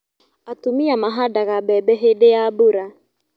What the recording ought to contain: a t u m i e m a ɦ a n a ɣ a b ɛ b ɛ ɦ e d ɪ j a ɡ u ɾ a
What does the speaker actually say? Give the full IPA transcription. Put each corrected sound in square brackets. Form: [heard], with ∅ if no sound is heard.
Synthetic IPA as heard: a t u m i [a] m a ɦ a [d] a ɣ a b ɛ b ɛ ɦ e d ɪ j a [b] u ɾ a

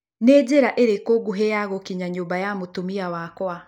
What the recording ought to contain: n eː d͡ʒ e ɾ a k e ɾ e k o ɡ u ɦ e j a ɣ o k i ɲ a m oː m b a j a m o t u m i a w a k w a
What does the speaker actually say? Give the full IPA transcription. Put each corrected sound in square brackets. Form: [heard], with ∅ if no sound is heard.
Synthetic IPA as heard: n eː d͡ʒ e ɾ a [ʔ] e ɾ e k o ɡ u ɦ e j a ɣ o k i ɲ a [ɲ] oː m b a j a m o t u m i a w a k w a

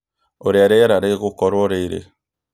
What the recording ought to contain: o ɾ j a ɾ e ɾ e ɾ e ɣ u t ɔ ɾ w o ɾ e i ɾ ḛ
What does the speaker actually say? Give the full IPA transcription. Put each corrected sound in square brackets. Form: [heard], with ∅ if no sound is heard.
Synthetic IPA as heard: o ɾ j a ɾ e ɾ [a] ɾ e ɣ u [k] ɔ ɾ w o ɾ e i ɾ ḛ

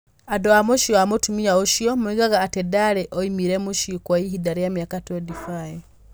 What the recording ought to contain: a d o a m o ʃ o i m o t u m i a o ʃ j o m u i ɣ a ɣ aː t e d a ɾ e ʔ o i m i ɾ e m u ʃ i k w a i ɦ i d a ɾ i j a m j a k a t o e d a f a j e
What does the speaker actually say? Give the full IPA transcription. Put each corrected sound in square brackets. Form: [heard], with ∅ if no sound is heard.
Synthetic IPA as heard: a d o a m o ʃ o [a] m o t u m i a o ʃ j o m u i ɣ a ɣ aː t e d a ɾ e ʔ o i m i ɾ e m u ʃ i k w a i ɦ i d a ɾ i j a m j a k a t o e d [i] f a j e

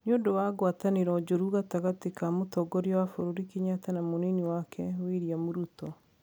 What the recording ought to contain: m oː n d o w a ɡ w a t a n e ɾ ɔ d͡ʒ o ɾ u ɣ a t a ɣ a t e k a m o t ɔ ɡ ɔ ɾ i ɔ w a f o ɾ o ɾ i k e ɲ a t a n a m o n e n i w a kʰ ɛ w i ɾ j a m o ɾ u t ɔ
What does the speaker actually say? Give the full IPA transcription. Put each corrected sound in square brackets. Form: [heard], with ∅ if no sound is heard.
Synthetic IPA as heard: [n] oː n d o w a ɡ w a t a n e ɾ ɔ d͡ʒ o ɾ u ɣ a t a ɣ a t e k a m o t ɔ ɡ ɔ ɾ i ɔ w a f o ɾ o ɾ i k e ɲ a t a n a m o n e n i w a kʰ ɛ w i ɾ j a m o ɾ u t ɔ

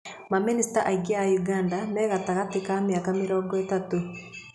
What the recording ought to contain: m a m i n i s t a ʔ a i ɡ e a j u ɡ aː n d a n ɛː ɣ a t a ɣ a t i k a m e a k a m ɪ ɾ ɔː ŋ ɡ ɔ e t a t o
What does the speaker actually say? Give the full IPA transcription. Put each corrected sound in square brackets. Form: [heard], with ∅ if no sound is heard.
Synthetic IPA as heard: m a m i n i s t a ʔ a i ɡ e a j u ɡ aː n d a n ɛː ɣ a t a ɣ a t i k a m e a k a m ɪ ɾ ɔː ŋ ɡ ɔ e t a t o

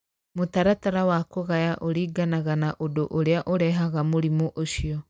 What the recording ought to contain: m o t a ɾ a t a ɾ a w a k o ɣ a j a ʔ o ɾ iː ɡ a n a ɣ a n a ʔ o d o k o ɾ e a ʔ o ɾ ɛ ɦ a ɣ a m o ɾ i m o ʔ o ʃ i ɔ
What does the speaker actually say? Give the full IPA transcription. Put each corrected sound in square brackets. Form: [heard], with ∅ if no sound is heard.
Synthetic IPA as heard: m o t a ɾ a t a ɾ a w a k o ɣ a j a ʔ o ɾ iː ɡ a n a ɣ a n a ʔ o d o [ʔ] o ɾ e a ʔ o ɾ ɛ ɦ a ɣ a m o ɾ i m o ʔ o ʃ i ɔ

